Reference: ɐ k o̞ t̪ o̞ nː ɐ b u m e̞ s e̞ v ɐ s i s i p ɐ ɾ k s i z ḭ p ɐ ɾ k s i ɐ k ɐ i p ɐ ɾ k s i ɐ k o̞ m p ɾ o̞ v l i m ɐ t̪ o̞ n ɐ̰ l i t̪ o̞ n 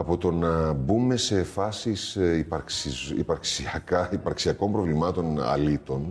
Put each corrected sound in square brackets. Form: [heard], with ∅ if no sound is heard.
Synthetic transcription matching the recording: ɐ [p] o̞ t̪ o̞ [n] ɐ b u m e̞ s e̞ [f] ɐ s i s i p ɐ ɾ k s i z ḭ p ɐ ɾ k s i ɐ k ɐ i p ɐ ɾ k s i ɐ k o̞ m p ɾ o̞ v l i m ɐ t̪ o̞ n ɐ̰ l i t̪ o̞ n